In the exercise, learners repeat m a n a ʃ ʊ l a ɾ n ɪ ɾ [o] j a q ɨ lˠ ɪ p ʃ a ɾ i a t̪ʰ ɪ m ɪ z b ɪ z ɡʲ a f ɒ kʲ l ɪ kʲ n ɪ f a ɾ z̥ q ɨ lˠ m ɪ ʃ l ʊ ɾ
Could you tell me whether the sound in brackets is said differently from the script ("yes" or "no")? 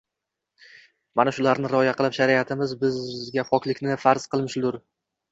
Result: yes